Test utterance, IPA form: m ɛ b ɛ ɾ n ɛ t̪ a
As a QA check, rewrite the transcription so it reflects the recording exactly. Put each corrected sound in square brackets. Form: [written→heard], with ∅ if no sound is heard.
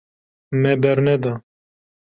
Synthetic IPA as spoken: m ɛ b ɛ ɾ n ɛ [t̪→d̪] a

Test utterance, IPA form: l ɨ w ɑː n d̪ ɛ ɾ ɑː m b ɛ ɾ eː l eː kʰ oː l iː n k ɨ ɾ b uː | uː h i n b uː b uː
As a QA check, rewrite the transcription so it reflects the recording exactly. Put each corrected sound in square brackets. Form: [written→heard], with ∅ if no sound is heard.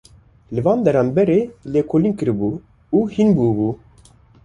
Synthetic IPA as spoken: l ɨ [w→v] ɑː n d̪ ɛ ɾ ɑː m b ɛ ɾ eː l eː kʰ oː l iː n k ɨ ɾ b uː | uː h i n b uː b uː

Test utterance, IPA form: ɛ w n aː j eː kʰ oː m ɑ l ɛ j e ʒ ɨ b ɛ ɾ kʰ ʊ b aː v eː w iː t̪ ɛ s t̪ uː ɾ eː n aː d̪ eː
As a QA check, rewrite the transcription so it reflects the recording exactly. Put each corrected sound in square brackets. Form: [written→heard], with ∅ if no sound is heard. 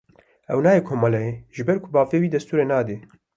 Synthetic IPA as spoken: ɛ w n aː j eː kʰ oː m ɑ l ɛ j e ʒ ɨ b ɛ ɾ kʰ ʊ b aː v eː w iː [t̪→d̪] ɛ s t̪ uː ɾ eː n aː d̪ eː

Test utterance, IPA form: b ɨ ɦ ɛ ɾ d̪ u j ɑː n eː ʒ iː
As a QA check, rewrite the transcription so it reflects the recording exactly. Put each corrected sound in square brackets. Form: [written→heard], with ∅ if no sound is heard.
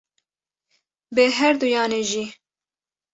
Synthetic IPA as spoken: b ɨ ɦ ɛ ɾ d̪ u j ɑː n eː ʒ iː

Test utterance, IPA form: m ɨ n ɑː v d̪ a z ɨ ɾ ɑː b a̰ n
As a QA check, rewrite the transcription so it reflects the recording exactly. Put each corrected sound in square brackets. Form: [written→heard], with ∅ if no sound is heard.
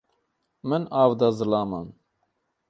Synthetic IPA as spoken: m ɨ n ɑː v d̪ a z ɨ [ɾ→l] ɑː [b→m] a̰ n

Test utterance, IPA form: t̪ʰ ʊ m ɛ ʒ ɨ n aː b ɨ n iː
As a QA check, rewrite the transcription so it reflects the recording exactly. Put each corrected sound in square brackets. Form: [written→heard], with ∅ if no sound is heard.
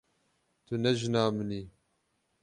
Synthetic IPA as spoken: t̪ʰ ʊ [m→n] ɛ ʒ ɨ n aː [b→m] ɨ n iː

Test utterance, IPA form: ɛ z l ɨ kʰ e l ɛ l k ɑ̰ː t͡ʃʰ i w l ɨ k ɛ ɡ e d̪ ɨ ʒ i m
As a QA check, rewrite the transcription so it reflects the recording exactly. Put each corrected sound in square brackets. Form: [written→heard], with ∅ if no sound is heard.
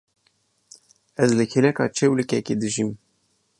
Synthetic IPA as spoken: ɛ z l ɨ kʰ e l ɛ [l→∅] k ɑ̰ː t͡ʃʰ [i→e] w l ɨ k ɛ [ɡ→k] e d̪ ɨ ʒ i m

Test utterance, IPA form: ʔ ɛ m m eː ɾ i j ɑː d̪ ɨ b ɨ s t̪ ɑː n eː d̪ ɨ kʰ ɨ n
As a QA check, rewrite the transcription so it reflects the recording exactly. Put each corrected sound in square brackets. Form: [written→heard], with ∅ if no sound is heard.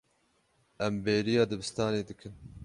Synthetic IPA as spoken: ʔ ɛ m [m→b] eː ɾ i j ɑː d̪ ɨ b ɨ s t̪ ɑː n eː d̪ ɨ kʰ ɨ n

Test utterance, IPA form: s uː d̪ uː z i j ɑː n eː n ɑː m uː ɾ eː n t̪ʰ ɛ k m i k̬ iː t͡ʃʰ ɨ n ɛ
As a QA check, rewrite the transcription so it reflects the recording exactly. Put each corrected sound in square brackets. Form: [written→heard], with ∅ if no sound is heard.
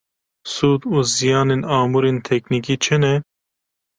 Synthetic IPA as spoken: s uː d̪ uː z i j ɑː n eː n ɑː m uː ɾ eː n t̪ʰ ɛ k [m→n] i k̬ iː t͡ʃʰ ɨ n ɛ

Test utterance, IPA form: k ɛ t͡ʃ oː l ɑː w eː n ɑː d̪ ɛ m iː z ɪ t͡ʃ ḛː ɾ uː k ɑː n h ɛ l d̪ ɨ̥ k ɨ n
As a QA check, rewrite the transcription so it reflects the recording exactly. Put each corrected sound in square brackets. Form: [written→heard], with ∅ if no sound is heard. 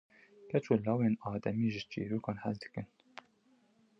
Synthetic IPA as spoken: k ɛ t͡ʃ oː l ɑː w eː n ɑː d̪ ɛ m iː [z→ʒ] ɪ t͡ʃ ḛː ɾ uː k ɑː n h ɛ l d̪ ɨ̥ k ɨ n

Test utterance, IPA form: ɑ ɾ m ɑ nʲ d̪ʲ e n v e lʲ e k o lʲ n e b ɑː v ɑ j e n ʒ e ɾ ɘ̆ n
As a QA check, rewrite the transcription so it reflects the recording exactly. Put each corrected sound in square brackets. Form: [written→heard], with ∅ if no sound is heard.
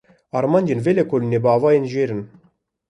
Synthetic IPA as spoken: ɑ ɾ m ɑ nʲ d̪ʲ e n v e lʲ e k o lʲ n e b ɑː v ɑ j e n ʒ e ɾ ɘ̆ n

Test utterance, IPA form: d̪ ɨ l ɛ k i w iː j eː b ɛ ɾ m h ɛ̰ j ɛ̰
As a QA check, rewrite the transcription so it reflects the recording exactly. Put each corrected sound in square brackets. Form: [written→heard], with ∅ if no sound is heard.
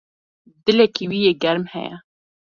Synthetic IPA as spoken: d̪ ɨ l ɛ k i w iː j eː [b→ɡ] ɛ ɾ m h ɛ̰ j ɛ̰

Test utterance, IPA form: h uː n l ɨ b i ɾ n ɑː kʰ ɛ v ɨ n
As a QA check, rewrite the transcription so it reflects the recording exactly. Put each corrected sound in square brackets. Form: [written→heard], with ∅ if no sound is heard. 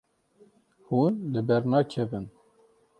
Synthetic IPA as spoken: h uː n l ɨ b [i→ɛ] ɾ n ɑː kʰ ɛ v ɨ n

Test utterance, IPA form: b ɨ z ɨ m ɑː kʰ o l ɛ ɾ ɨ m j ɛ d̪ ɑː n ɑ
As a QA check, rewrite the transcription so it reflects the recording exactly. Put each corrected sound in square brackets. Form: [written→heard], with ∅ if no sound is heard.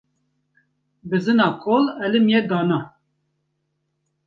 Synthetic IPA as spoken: b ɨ z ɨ [m→n] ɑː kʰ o l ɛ [ɾ→l] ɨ m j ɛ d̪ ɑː n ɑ

